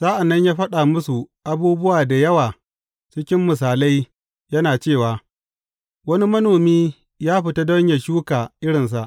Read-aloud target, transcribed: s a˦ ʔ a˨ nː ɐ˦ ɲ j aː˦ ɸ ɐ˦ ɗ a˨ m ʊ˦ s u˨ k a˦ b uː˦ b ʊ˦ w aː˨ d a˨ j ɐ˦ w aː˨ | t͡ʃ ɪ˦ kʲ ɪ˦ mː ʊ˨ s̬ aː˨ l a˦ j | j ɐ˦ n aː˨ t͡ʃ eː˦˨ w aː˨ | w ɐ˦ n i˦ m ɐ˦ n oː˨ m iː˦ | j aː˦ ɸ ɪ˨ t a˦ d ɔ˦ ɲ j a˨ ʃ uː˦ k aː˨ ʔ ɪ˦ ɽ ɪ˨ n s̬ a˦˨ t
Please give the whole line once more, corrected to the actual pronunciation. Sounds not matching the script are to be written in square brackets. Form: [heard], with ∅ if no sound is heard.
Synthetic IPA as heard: s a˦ ʔ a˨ nː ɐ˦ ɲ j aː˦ ɸ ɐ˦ ɗ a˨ m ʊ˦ s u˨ [ʔ] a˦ b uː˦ b ʊ˦ w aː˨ d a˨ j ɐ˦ w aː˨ | t͡ʃ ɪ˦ kʲ ɪ˦ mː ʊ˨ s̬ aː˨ l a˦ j | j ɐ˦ n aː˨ t͡ʃ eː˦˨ w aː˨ | w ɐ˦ n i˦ m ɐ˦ n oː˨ m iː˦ | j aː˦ ɸ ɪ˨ t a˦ d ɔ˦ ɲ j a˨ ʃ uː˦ k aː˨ ʔ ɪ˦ ɽ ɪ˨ n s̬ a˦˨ [ʔ]